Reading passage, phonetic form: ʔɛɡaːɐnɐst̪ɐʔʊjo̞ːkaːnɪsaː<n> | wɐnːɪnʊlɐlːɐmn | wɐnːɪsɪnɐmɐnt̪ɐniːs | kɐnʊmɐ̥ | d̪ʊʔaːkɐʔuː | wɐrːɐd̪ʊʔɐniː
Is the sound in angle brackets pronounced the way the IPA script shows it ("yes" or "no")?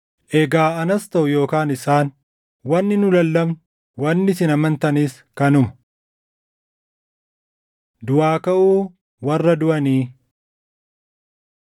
yes